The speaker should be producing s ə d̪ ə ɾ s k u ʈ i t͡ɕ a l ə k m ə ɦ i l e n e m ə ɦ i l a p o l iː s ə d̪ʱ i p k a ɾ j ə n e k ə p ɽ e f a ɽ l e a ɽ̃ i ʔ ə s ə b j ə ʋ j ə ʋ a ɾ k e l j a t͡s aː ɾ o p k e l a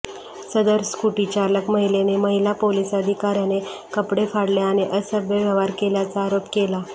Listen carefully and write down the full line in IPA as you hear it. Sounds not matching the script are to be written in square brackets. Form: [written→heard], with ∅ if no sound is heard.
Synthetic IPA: s ə d̪ ə ɾ s k u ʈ i t͡ɕ a l ə k m ə ɦ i l e n e m ə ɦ i l a p o l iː s ə d̪ʱ i [p→∅] k a ɾ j [ə→a] n e k ə p ɽ e f a ɽ l e a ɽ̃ i ʔ ə s ə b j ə ʋ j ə ʋ a ɾ k e l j a t͡s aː ɾ o p k e l a